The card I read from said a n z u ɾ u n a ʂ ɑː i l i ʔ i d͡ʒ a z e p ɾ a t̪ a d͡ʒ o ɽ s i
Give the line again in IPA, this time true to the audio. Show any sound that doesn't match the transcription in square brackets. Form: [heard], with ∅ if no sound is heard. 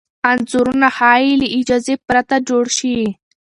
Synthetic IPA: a n z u ɾ u n a [h] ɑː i l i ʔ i d͡ʒ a z e p ɾ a t̪ a d͡ʒ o ɽ [ʃ] i